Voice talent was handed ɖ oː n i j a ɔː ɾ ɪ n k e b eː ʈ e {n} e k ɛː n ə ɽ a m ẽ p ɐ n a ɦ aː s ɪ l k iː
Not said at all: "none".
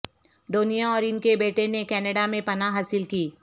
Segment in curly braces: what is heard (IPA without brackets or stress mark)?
n